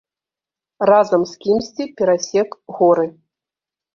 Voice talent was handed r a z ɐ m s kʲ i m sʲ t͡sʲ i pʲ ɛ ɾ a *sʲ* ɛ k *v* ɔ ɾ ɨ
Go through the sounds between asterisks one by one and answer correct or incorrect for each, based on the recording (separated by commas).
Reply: correct, incorrect